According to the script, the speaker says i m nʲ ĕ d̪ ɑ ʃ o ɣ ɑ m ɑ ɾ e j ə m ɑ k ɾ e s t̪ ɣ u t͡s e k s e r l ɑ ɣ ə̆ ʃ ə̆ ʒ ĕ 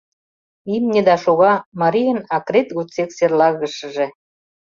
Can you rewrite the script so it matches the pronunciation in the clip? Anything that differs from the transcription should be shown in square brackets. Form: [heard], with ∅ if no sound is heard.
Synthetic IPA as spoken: i m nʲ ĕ d̪ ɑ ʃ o ɣ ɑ m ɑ ɾ [i] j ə [n] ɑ k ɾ e [∅] t̪ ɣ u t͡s e k s e r l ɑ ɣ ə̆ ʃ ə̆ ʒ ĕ